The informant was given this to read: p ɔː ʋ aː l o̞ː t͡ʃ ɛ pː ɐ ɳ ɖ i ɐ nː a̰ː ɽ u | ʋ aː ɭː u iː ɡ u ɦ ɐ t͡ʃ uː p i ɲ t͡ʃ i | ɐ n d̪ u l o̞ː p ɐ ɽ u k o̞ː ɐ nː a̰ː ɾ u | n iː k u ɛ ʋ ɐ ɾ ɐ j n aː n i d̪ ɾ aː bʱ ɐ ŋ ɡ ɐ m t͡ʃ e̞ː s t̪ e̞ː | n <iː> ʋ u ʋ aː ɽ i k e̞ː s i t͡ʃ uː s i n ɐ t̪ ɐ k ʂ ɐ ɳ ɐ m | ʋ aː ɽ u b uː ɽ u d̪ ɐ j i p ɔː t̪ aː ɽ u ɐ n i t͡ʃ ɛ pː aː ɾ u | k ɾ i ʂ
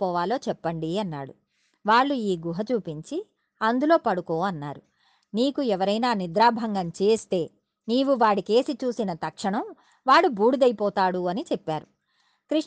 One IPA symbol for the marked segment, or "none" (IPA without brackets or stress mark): iː